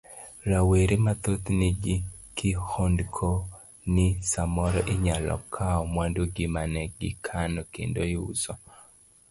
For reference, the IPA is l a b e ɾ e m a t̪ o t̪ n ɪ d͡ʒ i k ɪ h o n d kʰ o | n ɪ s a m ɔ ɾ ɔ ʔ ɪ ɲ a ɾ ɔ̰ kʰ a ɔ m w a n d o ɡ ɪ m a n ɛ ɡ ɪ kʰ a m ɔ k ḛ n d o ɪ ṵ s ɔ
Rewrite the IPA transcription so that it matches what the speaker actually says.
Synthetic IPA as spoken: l a w e ɾ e m a t̪ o t̪ n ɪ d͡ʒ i k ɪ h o n d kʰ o | n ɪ s a m ɔ ɾ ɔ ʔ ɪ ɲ a l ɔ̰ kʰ a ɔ m w a n d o ɡ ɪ m a n ɛ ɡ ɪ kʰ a n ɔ k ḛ n d o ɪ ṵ s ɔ